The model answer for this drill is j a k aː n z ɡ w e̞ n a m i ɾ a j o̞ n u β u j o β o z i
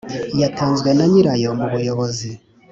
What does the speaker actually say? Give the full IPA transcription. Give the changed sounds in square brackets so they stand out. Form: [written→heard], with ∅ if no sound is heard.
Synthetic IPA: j a [k→t] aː n z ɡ w e̞ n a [m→ɲ] i ɾ a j o̞ [n→m] u β u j o β o z i